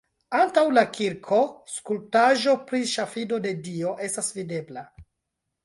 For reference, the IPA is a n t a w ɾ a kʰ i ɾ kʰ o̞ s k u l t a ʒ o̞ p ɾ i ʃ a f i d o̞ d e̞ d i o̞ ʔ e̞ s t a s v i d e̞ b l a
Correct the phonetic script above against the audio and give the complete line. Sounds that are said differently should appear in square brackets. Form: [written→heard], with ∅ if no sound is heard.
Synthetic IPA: a n t a w [ɾ→l] a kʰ i ɾ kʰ o̞ s k u l t a ʒ o̞ p ɾ i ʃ a f i d o̞ d e̞ d i o̞ ʔ e̞ s t a s v i d e̞ b l a